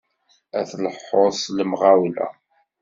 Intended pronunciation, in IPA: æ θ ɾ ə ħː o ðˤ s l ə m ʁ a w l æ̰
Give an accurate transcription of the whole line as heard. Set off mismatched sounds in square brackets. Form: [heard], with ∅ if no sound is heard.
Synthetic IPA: æ θ [l] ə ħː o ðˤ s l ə m ʁ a w l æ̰

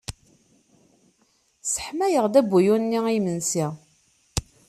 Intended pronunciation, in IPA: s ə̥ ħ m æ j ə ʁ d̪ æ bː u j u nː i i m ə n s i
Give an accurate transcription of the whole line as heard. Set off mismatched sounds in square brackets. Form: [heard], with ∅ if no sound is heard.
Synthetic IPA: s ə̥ ħ m æ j ə ʁ d̪ æ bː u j u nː i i m ə n s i

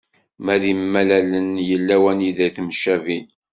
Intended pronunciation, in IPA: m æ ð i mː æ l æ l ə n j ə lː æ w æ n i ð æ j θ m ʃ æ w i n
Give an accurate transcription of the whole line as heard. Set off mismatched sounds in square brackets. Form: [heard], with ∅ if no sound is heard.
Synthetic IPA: m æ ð i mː æ l æ l ə n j ə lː æ w æ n i ð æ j θ m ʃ æ [v] i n

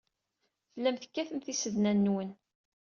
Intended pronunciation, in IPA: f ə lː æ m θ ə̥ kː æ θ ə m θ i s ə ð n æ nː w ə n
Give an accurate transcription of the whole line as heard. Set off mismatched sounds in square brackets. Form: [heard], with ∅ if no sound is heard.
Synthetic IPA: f ə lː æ m θ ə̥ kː æ θ ə m θ i s ə ð n æ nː w ə n

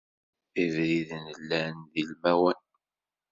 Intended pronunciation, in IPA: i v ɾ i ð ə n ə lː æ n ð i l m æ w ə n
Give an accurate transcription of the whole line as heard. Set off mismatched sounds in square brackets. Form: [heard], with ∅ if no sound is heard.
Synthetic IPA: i v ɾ i ð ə n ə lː æ n ð i l m æ w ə n

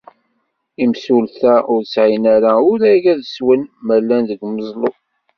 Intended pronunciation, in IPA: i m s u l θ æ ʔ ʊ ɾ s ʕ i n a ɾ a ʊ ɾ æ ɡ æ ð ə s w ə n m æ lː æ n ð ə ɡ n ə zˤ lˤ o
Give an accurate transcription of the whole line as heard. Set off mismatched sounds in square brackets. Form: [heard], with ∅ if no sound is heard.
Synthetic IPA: i m s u l θ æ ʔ ʊ ɾ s ʕ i n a ɾ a ʊ ɾ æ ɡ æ ð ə s w ə n m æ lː æ n ð ə ɡ [m] ə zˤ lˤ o

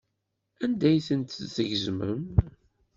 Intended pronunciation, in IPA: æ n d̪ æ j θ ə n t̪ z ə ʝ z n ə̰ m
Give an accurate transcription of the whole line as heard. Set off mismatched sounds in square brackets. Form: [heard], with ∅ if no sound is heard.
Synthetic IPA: æ n d̪ æ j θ ə n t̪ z ə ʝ z [m] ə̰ m

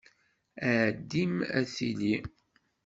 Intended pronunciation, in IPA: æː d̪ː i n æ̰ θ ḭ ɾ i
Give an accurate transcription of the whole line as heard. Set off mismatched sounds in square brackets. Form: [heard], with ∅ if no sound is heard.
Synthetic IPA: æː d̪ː i [m] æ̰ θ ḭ [l] i

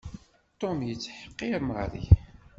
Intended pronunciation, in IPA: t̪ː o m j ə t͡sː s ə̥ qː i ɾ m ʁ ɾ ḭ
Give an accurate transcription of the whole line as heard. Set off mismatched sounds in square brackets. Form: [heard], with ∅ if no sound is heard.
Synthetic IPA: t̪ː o m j ə t͡sː [ħ] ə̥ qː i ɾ m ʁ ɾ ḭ

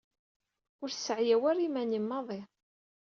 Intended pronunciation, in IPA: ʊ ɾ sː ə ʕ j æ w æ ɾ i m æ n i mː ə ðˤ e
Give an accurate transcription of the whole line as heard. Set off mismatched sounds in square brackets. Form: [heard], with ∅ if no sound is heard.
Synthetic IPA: ʊ ɾ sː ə ʕ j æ w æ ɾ i m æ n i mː [ɑ] ðˤ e

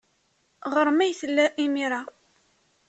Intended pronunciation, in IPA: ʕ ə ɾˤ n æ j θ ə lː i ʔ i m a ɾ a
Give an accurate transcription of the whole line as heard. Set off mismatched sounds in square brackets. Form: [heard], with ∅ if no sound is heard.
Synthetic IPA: [ʁ] ə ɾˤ [m] æ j θ ə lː [æ] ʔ i m [i] ɾ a

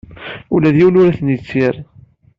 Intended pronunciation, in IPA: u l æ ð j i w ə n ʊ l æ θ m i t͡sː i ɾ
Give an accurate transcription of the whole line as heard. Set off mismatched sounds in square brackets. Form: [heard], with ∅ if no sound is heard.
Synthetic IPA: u l æ ð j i w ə n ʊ [ɾ] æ θ [n] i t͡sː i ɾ

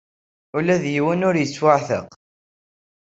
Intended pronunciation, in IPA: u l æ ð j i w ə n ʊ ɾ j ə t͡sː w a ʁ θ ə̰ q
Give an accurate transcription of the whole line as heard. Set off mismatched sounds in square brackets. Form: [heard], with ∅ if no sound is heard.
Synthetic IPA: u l æ ð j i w ə n ʊ ɾ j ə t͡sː w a [ʕ] θ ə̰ q

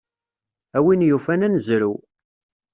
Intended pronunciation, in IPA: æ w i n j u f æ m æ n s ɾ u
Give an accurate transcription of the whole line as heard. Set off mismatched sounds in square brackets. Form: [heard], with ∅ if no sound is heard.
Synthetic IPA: æ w i n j u f æ [n] æ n [z] ɾ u

